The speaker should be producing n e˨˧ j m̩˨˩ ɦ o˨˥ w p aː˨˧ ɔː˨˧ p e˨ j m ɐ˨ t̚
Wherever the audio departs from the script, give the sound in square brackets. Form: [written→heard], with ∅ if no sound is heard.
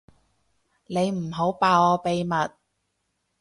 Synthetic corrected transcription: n e˨˧ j m̩˨˩ ɦ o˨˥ w p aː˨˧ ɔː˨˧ p e˨ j m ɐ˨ t̚